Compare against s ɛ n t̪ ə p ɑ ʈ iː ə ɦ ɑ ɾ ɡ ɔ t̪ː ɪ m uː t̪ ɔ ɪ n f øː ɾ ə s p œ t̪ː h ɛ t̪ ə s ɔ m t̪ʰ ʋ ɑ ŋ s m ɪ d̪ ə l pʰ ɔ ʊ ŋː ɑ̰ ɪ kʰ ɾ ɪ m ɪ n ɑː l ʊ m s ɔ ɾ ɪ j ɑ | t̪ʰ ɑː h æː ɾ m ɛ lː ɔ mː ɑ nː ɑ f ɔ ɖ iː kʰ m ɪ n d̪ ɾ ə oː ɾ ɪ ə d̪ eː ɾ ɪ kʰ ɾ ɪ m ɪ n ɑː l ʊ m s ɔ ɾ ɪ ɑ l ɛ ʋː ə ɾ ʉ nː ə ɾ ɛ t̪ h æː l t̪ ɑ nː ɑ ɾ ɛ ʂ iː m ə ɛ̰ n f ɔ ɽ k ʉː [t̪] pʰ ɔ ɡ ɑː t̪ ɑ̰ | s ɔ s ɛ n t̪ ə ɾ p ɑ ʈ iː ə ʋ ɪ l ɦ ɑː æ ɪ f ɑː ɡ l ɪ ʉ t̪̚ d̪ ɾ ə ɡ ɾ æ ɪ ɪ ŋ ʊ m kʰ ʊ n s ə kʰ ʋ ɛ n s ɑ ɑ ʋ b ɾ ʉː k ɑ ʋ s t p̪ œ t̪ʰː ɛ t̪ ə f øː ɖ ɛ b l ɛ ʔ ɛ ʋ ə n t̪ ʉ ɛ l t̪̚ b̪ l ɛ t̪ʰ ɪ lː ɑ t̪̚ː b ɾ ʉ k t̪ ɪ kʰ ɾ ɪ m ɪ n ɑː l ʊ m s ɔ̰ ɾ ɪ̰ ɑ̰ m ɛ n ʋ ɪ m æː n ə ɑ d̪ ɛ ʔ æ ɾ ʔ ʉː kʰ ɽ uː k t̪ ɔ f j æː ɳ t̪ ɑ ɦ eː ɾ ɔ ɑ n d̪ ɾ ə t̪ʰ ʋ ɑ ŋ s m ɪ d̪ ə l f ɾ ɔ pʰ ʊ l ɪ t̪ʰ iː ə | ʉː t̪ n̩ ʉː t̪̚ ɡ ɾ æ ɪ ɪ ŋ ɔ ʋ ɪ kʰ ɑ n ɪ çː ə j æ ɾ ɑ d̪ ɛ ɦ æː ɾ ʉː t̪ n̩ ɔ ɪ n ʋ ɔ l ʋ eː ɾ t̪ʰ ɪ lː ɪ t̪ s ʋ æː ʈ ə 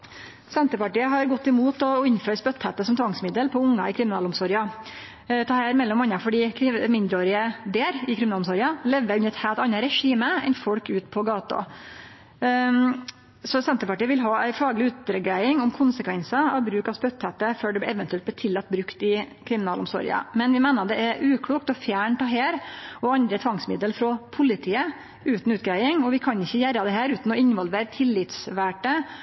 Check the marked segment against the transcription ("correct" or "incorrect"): correct